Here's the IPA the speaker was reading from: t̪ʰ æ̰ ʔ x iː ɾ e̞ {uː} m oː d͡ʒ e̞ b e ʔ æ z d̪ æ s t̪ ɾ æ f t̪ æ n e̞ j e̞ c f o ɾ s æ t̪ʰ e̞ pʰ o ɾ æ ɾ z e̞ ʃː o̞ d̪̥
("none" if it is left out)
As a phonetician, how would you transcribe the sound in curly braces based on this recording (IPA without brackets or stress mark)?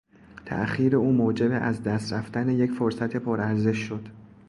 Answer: uː